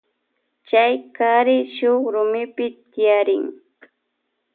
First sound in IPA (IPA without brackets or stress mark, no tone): t͡ʃ